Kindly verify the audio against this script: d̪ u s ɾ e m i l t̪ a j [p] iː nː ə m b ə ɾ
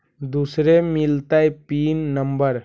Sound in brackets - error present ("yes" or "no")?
no